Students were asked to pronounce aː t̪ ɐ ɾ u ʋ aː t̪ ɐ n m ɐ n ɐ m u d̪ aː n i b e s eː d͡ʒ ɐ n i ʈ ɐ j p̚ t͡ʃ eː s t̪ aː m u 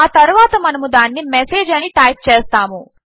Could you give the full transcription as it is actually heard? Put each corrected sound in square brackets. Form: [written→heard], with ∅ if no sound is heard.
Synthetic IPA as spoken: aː t̪ ɐ ɾ u ʋ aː t̪ ɐ [n→∅] m ɐ n ɐ m u d̪ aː [n→nː] i [b→m] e s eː d͡ʒ ɐ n i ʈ ɐ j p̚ t͡ʃ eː s t̪ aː m u